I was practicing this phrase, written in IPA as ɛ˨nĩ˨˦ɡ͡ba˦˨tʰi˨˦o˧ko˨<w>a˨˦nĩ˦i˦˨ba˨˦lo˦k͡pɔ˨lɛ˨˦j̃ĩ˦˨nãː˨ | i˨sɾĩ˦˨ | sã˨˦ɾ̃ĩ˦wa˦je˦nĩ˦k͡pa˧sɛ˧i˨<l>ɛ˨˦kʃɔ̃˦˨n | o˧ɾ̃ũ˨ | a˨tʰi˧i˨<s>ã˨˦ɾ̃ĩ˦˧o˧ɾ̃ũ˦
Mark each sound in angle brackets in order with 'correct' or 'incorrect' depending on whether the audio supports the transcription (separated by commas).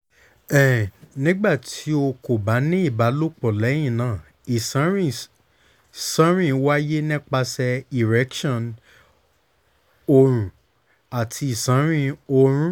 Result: incorrect, incorrect, correct